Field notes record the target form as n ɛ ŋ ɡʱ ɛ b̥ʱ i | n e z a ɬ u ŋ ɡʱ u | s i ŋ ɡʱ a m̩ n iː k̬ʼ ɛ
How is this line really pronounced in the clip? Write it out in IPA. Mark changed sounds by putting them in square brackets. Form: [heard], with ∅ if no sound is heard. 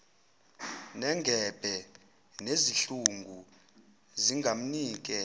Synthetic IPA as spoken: n ɛ ŋ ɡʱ ɛ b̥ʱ [ɛ] | n e z [i] ɬ u ŋ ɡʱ u | [z] i ŋ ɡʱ a m̩ n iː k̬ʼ ɛ